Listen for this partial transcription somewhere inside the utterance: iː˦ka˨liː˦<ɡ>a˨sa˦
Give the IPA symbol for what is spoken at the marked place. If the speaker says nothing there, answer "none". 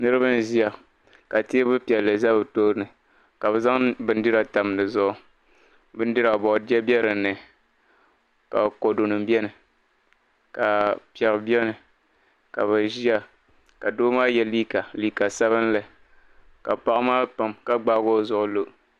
k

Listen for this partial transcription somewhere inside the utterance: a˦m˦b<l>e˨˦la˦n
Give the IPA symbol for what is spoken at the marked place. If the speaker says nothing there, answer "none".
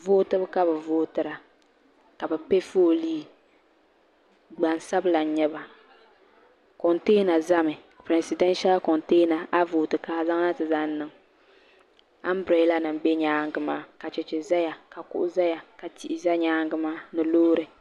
ɾ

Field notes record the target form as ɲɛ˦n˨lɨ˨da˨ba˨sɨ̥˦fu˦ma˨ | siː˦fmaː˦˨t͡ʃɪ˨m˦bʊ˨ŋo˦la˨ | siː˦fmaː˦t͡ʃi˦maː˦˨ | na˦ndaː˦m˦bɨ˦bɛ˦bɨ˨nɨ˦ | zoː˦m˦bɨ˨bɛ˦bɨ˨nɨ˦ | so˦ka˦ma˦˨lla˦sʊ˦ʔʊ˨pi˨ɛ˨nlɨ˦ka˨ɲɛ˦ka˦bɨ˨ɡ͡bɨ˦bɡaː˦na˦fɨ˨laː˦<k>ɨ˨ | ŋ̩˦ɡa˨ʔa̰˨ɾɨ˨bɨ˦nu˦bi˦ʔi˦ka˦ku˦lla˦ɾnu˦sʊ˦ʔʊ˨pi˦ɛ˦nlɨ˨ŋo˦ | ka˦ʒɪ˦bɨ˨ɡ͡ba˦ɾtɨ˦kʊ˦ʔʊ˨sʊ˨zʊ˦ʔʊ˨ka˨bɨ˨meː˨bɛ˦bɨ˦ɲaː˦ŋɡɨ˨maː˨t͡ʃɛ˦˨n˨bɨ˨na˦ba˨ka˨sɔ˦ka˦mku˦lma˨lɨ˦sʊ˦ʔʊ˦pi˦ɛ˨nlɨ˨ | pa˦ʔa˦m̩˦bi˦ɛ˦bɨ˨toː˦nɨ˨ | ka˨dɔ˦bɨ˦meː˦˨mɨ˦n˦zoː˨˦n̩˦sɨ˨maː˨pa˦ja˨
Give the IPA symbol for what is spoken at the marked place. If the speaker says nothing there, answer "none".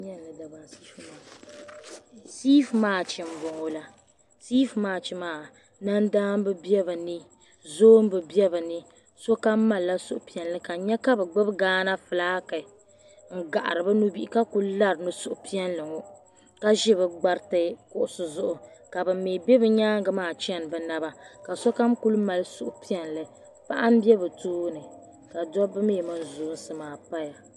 k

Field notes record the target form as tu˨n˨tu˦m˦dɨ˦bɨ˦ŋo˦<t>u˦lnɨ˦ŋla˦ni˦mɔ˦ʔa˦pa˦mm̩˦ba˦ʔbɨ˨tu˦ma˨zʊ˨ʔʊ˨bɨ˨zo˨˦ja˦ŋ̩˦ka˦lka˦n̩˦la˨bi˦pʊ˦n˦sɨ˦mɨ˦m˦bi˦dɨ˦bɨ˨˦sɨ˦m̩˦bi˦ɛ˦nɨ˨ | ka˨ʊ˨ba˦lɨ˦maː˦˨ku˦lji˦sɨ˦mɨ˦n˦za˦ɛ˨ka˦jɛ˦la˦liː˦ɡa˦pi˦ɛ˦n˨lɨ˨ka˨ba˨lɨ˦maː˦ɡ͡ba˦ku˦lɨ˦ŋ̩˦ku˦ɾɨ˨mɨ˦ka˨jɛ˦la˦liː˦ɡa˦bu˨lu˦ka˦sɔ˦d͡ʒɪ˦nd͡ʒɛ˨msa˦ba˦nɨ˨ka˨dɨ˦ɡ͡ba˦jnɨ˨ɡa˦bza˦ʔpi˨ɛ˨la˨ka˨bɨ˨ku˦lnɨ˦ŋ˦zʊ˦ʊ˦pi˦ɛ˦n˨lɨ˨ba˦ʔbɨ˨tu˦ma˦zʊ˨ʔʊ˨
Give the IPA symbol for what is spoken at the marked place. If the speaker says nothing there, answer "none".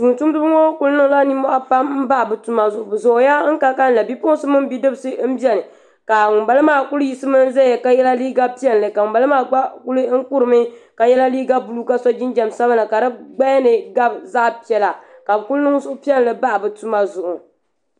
k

